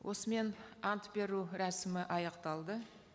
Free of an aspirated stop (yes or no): yes